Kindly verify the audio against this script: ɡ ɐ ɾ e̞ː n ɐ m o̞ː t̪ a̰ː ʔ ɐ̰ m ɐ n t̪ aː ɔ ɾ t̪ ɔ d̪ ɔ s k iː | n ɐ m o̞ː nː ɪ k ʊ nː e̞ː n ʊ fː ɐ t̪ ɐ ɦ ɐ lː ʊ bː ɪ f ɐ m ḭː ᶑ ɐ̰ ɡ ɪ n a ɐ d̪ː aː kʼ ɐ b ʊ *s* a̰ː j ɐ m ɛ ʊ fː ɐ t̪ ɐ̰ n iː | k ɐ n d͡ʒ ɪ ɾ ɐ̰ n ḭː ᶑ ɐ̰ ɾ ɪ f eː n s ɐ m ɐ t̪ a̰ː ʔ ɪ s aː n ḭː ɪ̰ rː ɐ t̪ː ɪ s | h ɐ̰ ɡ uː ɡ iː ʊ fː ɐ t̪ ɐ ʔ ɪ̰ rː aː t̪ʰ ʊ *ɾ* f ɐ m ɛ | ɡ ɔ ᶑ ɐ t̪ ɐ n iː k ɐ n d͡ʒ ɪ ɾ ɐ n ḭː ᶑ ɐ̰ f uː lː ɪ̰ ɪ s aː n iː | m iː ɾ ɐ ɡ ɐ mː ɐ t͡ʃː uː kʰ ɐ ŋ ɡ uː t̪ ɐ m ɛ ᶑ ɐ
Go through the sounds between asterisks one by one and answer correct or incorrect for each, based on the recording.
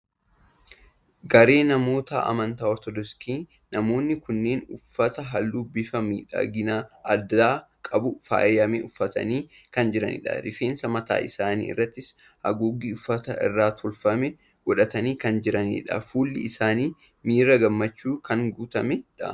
incorrect, incorrect

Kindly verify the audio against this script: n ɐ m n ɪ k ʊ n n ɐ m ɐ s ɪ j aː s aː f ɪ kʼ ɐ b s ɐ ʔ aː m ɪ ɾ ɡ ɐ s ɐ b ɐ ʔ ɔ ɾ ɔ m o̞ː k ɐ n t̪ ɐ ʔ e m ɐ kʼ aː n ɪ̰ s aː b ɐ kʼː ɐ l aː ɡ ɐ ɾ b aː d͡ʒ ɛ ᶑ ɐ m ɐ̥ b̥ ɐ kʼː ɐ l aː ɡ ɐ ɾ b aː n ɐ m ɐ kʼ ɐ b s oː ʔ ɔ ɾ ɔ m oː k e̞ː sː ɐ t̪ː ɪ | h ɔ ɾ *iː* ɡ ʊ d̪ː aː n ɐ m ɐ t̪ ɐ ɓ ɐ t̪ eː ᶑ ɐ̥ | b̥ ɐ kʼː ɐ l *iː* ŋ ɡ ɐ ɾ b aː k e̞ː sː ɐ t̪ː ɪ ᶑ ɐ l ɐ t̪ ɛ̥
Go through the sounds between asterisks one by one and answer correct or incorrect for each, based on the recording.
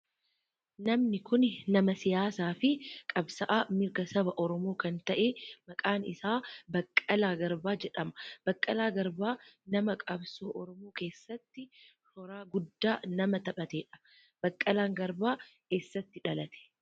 incorrect, incorrect

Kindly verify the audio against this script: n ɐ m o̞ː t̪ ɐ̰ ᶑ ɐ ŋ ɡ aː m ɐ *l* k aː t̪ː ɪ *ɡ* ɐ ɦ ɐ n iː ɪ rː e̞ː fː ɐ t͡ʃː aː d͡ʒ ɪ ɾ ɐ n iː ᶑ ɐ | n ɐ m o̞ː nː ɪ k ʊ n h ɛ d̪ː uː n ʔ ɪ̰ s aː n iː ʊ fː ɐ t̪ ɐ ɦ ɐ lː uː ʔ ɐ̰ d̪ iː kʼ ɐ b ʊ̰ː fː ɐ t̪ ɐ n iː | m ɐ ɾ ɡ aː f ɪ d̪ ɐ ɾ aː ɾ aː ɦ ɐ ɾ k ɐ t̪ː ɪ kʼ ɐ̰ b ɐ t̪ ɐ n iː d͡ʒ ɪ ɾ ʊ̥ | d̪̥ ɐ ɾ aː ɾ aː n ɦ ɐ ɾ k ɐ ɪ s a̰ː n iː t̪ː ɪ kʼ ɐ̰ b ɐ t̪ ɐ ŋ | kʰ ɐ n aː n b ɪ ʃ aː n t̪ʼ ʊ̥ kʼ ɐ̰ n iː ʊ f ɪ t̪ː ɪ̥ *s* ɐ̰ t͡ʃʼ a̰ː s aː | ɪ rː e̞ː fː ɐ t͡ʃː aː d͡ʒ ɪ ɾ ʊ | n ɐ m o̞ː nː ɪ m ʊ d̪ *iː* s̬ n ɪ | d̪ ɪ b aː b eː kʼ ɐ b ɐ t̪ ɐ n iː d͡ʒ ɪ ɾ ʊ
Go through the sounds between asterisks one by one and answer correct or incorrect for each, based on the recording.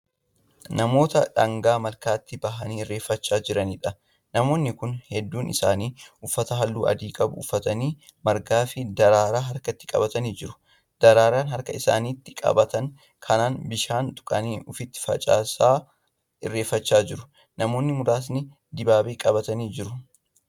correct, incorrect, incorrect, incorrect

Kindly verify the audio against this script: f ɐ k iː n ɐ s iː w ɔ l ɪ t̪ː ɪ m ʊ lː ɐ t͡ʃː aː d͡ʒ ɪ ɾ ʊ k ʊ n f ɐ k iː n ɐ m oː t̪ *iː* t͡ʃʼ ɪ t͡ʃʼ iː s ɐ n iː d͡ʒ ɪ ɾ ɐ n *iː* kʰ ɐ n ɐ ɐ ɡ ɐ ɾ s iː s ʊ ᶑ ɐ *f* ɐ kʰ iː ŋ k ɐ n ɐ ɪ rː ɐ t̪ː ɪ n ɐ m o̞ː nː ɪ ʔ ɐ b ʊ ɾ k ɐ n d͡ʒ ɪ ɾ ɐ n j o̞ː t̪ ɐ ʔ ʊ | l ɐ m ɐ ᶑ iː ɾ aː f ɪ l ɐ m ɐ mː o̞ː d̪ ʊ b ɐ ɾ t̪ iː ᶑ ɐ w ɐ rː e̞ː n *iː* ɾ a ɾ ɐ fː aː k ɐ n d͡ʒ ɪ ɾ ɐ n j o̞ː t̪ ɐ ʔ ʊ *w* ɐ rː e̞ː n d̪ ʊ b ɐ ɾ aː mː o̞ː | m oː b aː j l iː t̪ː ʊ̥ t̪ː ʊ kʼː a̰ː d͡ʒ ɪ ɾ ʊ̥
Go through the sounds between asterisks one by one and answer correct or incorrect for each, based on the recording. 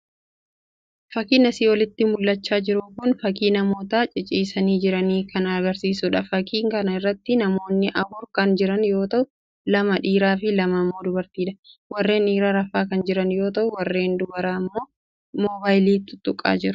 incorrect, correct, correct, correct, correct

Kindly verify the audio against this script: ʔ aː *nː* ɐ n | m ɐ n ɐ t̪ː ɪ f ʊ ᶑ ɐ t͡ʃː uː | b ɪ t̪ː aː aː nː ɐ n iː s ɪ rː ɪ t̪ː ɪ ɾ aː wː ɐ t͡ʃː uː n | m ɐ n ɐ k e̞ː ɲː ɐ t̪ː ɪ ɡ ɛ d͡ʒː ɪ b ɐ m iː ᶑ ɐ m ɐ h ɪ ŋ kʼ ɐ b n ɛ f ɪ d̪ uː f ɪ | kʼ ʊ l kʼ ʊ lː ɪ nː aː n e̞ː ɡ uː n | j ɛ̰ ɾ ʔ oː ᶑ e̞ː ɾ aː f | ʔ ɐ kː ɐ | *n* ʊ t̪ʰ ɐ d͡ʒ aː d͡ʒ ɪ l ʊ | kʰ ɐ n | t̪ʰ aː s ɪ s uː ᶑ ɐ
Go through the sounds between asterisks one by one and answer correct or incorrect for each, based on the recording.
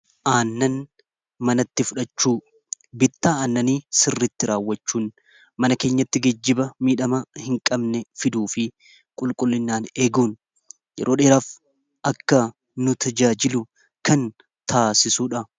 correct, correct

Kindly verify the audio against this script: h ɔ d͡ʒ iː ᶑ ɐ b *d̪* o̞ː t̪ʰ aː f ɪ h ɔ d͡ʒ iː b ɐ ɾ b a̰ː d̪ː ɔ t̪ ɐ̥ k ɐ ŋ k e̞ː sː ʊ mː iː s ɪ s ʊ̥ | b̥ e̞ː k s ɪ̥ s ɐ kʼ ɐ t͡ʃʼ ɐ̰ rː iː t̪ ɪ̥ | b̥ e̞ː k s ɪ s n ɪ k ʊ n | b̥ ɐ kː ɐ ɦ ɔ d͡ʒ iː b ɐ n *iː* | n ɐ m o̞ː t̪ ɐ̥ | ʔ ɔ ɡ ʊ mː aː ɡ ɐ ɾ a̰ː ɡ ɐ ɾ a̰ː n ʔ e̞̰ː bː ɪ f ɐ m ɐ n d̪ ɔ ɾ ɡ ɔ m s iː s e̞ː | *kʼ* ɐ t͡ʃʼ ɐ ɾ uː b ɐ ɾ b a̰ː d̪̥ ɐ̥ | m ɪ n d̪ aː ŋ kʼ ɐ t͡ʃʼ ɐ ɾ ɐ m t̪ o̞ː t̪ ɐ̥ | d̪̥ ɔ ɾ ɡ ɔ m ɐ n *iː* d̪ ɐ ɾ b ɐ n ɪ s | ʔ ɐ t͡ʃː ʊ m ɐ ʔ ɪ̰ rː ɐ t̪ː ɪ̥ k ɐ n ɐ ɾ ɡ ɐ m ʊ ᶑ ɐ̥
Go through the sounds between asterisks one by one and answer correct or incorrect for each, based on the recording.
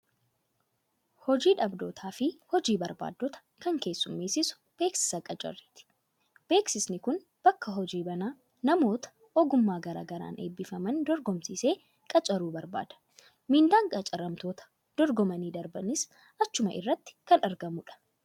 correct, incorrect, correct, correct

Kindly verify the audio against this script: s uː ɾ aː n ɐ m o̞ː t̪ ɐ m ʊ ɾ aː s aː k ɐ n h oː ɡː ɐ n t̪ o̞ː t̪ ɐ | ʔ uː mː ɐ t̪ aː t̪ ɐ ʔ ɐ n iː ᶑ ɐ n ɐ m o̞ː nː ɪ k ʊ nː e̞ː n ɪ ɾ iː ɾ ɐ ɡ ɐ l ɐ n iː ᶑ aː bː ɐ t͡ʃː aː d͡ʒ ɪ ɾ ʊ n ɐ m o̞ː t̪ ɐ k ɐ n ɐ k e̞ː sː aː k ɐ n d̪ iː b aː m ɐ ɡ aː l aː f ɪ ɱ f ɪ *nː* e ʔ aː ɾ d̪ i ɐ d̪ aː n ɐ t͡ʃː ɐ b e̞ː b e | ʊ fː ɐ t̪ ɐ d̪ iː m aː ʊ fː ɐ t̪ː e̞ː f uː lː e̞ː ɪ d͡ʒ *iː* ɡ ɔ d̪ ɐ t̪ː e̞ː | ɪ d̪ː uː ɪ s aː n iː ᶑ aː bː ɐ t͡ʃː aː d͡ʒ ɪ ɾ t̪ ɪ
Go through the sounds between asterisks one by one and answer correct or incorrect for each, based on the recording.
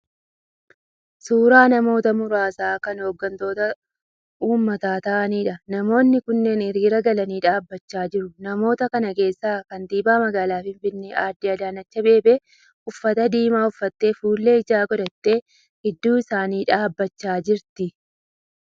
correct, incorrect

